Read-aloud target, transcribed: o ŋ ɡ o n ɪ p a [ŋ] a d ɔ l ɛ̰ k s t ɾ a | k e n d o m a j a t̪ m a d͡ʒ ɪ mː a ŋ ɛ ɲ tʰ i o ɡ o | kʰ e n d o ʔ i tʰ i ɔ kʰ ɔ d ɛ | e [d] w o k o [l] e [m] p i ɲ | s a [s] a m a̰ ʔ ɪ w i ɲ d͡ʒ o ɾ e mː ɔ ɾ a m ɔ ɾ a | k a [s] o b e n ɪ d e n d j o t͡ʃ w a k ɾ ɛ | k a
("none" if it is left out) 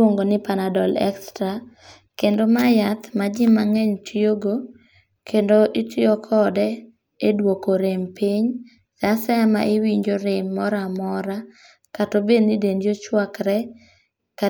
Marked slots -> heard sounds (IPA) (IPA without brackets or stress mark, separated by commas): n, d, ɾ, m, s, t